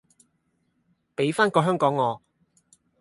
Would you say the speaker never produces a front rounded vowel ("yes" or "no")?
no